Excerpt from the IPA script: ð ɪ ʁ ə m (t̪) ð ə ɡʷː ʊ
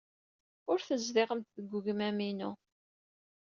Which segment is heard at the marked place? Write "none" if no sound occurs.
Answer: t̪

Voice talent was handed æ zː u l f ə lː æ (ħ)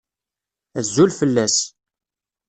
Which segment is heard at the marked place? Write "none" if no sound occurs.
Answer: s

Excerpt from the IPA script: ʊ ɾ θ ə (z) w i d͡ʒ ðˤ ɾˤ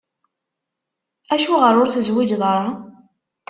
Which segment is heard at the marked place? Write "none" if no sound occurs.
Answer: z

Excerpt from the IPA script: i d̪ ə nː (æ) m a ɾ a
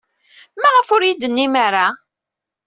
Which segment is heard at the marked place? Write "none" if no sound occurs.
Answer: i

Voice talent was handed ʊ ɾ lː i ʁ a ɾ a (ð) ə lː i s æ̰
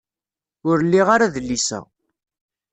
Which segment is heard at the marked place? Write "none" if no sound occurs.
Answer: ð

